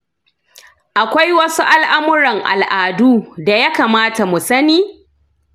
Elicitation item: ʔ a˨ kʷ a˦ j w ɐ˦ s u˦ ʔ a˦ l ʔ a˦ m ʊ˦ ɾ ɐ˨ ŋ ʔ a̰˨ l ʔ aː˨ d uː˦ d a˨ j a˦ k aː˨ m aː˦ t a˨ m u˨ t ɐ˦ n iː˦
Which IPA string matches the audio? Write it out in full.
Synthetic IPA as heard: ʔ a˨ kʷ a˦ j w ɐ˦ s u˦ ʔ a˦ l ʔ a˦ m ʊ˦ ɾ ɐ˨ ŋ ʔ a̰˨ l ʔ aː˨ d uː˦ d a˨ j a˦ k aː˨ m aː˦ t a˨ m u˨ s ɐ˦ n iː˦